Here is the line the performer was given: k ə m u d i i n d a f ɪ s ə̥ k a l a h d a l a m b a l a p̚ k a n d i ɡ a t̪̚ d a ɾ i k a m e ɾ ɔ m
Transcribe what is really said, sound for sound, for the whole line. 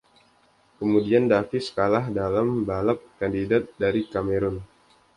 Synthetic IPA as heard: k ə m u d i a n d a f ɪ s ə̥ k a l a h d a l a m b a l a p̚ k a n d i d a t̪̚ d a ɾ i k a m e ɾ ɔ n

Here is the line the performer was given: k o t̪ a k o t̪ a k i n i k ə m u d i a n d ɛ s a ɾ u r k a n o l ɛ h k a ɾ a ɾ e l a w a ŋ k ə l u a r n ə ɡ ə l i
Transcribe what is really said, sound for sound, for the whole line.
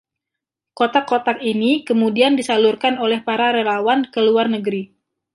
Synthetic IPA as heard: k o t̪ a k o t̪ a k i n i k ə m u d i a n d i s a l u r k a n o l ɛ h p a ɾ a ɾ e l a w a n k ə l u a r n ə ɡ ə ɾ i

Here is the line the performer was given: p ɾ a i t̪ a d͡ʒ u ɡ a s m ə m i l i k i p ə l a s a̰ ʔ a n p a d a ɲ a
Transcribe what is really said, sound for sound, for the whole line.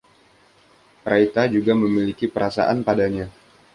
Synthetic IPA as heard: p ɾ a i t̪ a d͡ʒ u ɡ a m ə m i l i k i p ə ɾ a s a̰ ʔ a n p a d a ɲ a

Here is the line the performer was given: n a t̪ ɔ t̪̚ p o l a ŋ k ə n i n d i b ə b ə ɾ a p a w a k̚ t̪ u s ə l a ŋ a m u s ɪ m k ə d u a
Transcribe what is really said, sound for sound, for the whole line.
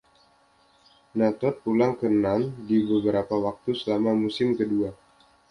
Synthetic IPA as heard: n a t̪ ɔ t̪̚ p u l a ŋ k ə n a n d i b ə b ə ɾ a p a w a k̚ t̪ u s ə l a m a m u s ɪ m k ə d u a

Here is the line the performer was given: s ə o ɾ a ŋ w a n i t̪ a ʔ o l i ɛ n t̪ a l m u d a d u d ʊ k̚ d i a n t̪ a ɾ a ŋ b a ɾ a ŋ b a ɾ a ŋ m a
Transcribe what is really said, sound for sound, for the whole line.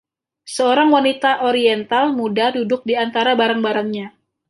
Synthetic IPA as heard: s ə o ɾ a ŋ w a n i t̪ a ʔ o ɾ i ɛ n t̪ a l m u d a d u d ʊ k̚ d i a n t̪ a ɾ a b a ɾ a ŋ b a ɾ a ŋ ɲ a

